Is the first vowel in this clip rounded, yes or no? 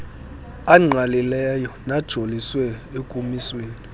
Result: no